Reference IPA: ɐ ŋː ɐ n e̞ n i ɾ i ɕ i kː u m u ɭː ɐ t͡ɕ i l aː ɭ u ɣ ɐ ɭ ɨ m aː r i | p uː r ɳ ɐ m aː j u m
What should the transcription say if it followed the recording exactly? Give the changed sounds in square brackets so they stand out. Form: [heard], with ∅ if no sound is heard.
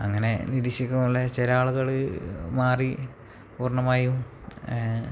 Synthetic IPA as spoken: ɐ ŋː ɐ n e̞ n i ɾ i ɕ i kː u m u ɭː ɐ t͡ɕ [e] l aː ɭ u ɣ ɐ ɭ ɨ m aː r i | p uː r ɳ ɐ m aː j u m